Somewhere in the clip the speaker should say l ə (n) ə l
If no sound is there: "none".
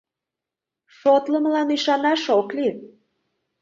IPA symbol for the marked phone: m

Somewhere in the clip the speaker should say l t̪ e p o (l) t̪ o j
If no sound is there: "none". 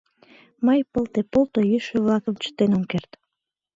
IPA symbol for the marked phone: l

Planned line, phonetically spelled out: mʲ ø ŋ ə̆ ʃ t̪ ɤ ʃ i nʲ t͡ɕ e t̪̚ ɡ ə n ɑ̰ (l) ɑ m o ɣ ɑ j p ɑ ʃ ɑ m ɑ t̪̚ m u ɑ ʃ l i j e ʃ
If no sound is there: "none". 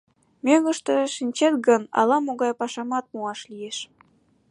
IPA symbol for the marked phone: l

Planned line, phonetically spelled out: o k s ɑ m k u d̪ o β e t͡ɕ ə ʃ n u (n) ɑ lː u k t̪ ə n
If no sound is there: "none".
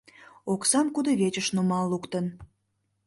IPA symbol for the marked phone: m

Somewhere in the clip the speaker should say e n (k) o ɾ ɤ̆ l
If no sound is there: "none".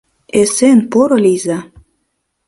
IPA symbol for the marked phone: p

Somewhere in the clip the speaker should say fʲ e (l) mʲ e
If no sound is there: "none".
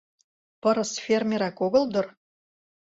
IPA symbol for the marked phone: r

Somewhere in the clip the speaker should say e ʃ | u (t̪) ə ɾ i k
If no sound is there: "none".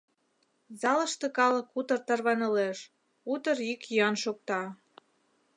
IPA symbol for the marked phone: t̪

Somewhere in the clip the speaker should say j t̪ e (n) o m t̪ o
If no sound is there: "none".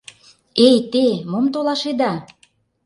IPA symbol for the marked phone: m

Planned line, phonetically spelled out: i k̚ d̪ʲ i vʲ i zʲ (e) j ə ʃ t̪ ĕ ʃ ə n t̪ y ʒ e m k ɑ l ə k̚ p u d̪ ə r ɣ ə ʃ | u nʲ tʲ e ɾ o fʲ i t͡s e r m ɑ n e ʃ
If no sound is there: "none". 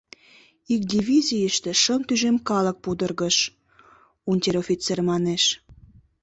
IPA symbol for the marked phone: i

